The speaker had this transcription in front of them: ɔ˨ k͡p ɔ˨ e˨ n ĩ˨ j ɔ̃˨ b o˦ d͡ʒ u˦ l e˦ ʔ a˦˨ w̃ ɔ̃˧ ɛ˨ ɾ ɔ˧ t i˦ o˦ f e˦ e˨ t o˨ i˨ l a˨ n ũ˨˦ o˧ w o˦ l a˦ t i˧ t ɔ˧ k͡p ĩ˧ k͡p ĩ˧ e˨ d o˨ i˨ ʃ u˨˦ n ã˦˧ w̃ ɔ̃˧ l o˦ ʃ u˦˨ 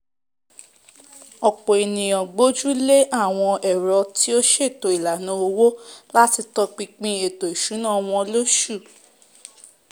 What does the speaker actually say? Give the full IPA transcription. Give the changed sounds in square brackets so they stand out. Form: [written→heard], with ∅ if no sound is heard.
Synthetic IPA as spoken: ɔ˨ k͡p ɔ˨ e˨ n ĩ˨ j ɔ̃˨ [b→ɡ͡b] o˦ d͡ʒ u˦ l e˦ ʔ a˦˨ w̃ ɔ̃˧ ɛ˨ ɾ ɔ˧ t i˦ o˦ [f→ʃ] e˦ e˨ t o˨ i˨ l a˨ n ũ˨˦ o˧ w o˦ l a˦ t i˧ t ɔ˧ k͡p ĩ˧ k͡p ĩ˧ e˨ [d→t] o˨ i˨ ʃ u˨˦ n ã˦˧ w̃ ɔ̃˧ l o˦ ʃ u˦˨